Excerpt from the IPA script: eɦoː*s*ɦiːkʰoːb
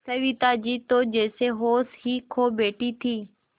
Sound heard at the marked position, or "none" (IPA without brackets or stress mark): s